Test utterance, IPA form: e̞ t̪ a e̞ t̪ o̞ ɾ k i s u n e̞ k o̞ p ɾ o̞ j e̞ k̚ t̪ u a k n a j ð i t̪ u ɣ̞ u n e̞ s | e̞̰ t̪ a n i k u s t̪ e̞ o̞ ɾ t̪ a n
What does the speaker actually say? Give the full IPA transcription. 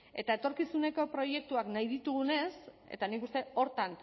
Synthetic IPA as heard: e̞ t̪ a e̞ t̪ o̞ ɾ k i s u n e̞ k o̞ p ɾ o̞ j e̞ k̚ t̪ u a k n a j ð i t̪ u ɣ̞ u n e̞ s | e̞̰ t̪ a n i k u s t̪ e̞ o̞ ɾ t̪ a n